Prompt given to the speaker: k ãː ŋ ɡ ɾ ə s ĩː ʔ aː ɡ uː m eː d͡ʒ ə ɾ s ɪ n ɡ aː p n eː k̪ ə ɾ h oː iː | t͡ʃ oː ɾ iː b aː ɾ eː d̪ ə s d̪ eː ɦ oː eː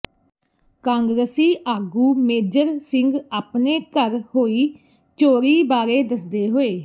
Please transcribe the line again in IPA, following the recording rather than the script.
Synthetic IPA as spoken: k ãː ŋ ɡ ɾ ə s iː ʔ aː ɡ uː m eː d͡ʒ ə ɾ s ɪ ŋ ɡ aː p n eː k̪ ə ɾ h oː iː | t͡ʃ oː ɾ iː b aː ɾ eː d̪ ə s d̪ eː ɦ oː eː